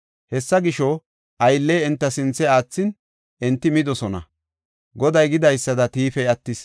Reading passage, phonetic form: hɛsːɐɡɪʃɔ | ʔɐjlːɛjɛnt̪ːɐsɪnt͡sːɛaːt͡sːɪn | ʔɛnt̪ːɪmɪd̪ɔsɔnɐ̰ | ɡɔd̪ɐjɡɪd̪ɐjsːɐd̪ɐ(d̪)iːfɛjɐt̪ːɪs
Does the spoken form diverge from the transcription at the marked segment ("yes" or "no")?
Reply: yes